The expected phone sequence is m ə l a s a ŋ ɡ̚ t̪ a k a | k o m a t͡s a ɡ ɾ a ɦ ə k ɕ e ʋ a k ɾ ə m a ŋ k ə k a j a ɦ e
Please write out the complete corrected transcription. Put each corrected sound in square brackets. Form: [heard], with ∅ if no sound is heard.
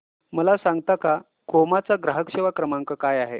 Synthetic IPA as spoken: m ə l a s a ŋ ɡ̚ t̪ a k a | k o m a t͡s a ɡ ɾ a ɦ ə k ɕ e ʋ a k ɾ ə m a ŋ k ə k a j a ɦ e